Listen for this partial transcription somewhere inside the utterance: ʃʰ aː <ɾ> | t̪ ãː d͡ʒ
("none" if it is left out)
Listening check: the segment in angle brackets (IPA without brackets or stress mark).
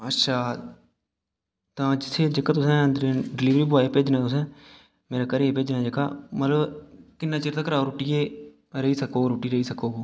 none